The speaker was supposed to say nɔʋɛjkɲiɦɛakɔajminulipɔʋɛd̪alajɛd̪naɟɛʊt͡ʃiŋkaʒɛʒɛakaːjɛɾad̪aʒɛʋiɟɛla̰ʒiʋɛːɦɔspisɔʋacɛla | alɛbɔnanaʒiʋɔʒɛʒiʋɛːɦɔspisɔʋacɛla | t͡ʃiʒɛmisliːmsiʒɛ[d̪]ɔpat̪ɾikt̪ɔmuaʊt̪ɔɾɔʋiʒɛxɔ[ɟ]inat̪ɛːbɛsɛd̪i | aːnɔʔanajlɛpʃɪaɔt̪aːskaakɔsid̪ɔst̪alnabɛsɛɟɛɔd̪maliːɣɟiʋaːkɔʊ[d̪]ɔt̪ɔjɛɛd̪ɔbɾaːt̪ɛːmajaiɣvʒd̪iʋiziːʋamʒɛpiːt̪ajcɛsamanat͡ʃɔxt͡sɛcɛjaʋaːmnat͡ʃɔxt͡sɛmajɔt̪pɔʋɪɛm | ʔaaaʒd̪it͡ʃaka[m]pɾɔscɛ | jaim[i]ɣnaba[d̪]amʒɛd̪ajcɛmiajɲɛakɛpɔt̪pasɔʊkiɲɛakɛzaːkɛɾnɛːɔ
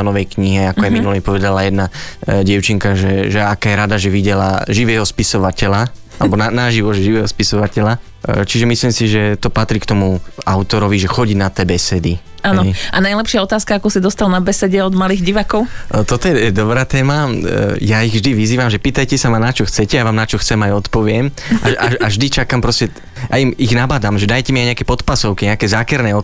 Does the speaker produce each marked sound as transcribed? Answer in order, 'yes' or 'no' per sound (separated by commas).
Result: no, yes, no, yes, yes, yes